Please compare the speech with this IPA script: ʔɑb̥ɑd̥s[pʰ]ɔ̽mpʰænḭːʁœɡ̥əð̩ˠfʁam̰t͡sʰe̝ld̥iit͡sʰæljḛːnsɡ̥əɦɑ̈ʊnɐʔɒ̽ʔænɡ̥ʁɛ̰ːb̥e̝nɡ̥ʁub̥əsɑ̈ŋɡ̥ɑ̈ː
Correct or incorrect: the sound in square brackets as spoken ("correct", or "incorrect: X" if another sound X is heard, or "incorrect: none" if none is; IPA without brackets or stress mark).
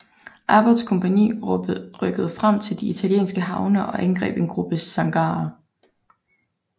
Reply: incorrect: kʰ